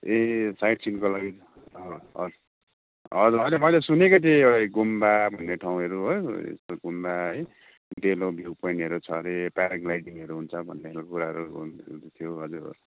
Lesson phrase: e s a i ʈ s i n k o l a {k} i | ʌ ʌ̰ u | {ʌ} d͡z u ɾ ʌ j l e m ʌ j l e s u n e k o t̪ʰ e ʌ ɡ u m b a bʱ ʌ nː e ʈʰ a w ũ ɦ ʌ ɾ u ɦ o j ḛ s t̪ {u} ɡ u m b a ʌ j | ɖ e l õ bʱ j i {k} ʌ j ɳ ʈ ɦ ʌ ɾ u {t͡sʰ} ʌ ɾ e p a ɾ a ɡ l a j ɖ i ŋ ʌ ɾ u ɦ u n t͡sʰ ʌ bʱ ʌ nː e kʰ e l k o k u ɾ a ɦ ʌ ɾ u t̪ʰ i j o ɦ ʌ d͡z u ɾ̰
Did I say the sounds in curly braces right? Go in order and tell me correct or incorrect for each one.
incorrect, correct, incorrect, incorrect, correct

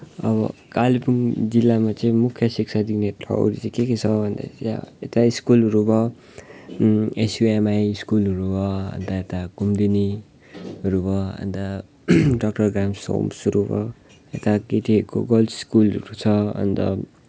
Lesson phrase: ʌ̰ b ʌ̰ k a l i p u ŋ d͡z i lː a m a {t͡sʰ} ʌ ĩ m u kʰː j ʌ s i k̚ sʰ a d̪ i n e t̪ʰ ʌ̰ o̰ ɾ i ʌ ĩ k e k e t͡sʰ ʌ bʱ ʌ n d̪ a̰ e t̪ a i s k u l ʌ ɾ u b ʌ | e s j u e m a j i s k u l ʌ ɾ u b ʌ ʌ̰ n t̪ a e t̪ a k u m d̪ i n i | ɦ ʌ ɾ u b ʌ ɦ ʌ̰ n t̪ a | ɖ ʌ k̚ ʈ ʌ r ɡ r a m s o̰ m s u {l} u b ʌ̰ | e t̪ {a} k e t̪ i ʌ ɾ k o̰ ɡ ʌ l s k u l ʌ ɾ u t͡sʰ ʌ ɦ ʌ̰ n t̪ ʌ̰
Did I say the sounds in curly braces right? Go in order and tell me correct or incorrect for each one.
incorrect, incorrect, correct

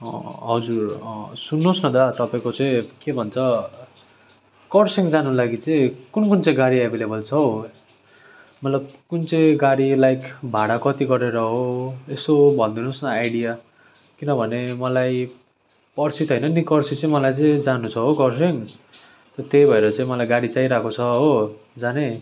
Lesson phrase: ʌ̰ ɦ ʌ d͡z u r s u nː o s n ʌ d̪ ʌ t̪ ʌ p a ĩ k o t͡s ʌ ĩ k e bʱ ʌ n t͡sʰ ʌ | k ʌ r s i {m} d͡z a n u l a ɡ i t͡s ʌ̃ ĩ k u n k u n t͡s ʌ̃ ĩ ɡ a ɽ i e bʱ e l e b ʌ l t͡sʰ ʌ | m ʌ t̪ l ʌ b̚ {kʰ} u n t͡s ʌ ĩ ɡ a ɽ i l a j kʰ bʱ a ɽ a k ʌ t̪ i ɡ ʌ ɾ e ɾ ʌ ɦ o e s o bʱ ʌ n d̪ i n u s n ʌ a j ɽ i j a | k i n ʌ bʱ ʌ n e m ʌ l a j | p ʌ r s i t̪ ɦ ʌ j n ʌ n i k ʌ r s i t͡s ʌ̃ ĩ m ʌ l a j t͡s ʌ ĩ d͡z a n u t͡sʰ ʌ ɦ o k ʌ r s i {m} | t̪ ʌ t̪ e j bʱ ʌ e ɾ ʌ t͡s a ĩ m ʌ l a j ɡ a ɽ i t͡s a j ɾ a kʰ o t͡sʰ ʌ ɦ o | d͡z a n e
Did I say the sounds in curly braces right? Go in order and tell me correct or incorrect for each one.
incorrect, incorrect, incorrect

